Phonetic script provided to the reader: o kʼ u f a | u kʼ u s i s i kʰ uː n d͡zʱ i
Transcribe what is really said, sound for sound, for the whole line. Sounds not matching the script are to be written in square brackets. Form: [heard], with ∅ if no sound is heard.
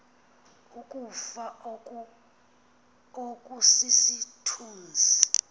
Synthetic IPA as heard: [u] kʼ u f a | [o] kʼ u s i s i [tʰ] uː n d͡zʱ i